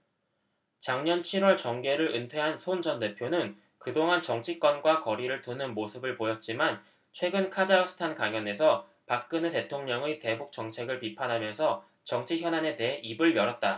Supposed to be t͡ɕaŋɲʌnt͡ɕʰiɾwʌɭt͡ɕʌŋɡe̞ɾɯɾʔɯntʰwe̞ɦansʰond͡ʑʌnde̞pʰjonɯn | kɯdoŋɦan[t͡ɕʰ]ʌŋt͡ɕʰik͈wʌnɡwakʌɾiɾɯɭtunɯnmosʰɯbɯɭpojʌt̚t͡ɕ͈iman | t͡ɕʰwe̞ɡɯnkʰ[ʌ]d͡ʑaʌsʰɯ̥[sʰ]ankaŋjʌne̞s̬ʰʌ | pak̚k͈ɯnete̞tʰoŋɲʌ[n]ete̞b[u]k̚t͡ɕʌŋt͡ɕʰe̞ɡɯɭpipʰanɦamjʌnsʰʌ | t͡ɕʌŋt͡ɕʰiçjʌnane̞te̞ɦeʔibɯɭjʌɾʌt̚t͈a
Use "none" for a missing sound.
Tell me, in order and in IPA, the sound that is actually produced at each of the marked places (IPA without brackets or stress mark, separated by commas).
t͡ɕ, a, tʰ, ŋ, u